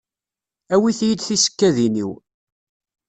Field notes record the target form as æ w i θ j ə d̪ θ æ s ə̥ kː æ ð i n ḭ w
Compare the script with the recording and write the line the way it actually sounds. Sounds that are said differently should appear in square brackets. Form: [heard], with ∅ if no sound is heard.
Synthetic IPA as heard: æ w i θ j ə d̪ θ [i] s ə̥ kː æ ð i n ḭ w